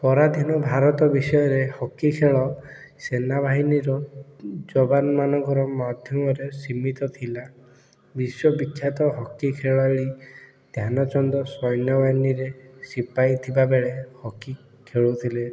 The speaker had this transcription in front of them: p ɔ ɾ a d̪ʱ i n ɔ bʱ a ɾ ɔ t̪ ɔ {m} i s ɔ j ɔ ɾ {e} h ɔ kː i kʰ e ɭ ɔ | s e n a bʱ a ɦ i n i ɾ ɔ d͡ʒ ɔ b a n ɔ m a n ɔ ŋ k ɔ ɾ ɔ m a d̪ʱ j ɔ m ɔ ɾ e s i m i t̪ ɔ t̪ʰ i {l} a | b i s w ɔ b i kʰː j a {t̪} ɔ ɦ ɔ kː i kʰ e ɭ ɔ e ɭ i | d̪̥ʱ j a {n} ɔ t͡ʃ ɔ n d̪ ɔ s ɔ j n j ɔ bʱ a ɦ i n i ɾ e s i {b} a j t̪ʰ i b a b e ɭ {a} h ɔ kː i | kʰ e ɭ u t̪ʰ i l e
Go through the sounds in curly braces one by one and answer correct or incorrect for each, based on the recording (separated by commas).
incorrect, correct, correct, correct, correct, incorrect, incorrect